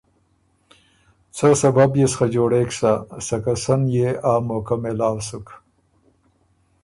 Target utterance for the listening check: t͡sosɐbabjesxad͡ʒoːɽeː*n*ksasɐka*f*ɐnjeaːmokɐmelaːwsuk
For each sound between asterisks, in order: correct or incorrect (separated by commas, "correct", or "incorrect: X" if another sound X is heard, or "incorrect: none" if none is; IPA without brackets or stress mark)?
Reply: incorrect: none, incorrect: s